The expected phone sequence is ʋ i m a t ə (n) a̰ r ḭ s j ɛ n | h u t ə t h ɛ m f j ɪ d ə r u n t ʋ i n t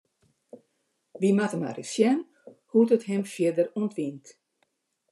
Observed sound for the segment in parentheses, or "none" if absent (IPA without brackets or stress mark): m